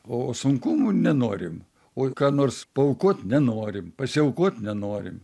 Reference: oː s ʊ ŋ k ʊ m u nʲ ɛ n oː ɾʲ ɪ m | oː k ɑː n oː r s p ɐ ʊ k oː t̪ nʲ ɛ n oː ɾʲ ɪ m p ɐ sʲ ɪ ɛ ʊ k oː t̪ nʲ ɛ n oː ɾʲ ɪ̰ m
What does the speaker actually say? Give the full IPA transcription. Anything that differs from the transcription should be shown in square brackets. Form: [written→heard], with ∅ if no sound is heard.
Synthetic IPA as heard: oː s ʊ ŋ k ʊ m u nʲ ɛ n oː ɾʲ ɪ m | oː k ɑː n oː r s p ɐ ʊ k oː t̪ nʲ ɛ n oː ɾʲ ɪ m p ɐ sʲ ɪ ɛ ʊ k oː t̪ nʲ ɛ n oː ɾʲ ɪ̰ m

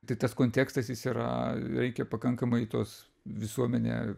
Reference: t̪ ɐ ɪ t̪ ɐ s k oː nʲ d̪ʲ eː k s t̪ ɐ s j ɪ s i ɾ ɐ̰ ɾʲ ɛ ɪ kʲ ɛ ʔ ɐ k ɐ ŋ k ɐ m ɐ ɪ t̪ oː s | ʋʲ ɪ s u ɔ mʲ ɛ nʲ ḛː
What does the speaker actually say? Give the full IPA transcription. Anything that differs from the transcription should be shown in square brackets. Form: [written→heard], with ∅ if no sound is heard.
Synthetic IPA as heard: t̪ ɐ ɪ t̪ ɐ s k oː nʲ [d̪ʲ→t̪ʲ] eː k s t̪ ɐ s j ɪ s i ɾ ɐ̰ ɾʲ ɛ ɪ kʲ ɛ [ʔ→p] ɐ k ɐ ŋ k ɐ m ɐ ɪ t̪ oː s | ʋʲ ɪ s u ɔ mʲ ɛ nʲ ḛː

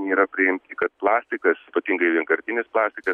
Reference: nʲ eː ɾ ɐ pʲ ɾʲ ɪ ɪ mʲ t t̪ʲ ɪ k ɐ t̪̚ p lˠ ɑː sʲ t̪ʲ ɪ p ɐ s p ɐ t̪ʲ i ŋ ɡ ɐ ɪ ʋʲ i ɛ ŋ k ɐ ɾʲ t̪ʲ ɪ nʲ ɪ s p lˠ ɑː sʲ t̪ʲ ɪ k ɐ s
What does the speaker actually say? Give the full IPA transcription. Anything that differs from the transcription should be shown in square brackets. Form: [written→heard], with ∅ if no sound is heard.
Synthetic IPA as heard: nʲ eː ɾ ɐ pʲ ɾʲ ɪ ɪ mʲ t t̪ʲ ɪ k ɐ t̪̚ p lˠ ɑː sʲ t̪ʲ ɪ [p→k] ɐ s p ɐ t̪ʲ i ŋ ɡ ɐ ɪ ʋʲ i ɛ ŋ k ɐ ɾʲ t̪ʲ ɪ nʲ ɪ s p lˠ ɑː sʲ t̪ʲ ɪ k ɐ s

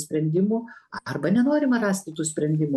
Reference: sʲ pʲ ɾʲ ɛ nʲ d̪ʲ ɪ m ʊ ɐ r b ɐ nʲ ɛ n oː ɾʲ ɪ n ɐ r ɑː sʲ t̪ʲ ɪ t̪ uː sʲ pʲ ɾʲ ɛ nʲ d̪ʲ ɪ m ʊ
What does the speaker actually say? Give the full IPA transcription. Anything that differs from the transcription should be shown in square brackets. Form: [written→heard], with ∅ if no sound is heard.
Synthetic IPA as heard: sʲ pʲ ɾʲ ɛ nʲ d̪ʲ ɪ m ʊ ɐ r b ɐ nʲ ɛ n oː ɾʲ ɪ [n→m] ɐ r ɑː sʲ t̪ʲ ɪ t̪ uː sʲ pʲ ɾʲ ɛ nʲ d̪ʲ ɪ m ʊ

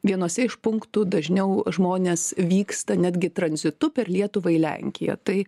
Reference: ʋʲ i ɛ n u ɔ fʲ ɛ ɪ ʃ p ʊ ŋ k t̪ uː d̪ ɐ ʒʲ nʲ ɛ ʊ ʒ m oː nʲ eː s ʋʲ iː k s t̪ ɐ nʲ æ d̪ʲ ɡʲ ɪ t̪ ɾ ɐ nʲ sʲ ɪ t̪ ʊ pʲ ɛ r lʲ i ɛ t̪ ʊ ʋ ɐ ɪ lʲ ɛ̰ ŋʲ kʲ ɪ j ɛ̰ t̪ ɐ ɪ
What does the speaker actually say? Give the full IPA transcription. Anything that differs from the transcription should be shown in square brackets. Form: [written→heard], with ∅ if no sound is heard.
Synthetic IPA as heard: ʋʲ i ɛ n u ɔ [fʲ→sʲ] ɛ ɪ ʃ p ʊ ŋ k t̪ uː d̪ ɐ ʒʲ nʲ ɛ ʊ ʒ m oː nʲ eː s ʋʲ iː k s t̪ ɐ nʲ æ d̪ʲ ɡʲ ɪ t̪ ɾ ɐ nʲ [sʲ→zʲ] ɪ t̪ ʊ pʲ ɛ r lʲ i ɛ t̪ ʊ ʋ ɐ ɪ lʲ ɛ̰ ŋʲ kʲ ɪ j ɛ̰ t̪ ɐ ɪ

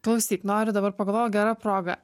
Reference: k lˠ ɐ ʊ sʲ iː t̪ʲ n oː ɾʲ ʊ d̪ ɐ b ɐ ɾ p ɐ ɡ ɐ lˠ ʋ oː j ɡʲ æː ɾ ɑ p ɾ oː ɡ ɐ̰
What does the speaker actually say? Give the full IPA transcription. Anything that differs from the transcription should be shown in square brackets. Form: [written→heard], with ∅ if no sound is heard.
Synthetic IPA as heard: k lˠ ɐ ʊ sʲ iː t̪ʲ n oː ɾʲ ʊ d̪ ɐ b ɐ ɾ p ɐ ɡ ɐ lˠ ʋ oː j ɡʲ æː ɾ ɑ p ɾ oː ɡ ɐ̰

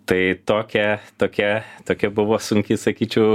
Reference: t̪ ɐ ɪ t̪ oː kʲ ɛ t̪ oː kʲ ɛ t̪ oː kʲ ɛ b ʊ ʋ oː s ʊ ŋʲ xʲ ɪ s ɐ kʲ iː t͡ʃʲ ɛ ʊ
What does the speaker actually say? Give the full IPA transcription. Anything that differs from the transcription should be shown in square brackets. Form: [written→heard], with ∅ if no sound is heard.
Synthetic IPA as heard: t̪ ɐ ɪ t̪ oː kʲ ɛ t̪ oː kʲ ɛ t̪ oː kʲ ɛ b ʊ ʋ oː s ʊ ŋʲ [xʲ→kʲ] ɪ s ɐ kʲ iː t͡ʃʲ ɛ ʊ

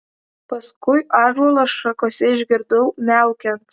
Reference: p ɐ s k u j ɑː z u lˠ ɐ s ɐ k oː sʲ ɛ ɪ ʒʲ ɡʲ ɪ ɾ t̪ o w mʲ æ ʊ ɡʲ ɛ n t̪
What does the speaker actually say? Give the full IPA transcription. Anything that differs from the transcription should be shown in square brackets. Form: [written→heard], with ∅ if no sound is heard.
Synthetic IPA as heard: p ɐ s k [u→ʊ] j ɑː [z→ʒ] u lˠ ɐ [s→ʃ] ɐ k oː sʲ ɛ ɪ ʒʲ ɡʲ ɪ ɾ [t̪→d̪] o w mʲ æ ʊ [ɡʲ→kʲ] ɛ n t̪

